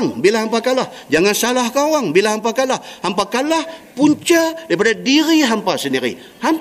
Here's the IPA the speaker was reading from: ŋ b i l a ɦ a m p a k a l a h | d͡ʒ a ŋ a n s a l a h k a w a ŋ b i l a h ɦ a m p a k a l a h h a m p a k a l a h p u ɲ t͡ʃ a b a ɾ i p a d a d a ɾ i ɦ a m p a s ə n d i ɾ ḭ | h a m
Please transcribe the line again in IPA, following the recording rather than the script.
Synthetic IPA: ŋ b i l a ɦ a m p a k a l a h | d͡ʒ a ŋ a n s a l a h k a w a ŋ b i l a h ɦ a m p a k a l a h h a m p a k a l a h p u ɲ t͡ʃ a d a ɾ i p a d a d i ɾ i ɦ a m p a s ə n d i ɾ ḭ | h a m